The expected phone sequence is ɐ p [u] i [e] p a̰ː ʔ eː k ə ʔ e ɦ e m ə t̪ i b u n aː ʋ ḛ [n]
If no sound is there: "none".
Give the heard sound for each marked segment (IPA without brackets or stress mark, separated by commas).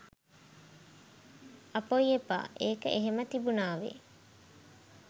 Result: o, e, none